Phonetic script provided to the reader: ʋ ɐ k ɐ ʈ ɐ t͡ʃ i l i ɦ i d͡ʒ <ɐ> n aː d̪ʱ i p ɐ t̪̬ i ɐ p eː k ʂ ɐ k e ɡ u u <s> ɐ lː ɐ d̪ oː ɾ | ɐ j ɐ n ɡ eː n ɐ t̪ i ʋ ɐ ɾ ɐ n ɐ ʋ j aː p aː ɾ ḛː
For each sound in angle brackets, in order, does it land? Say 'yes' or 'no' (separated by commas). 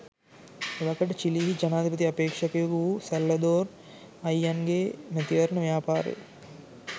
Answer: yes, yes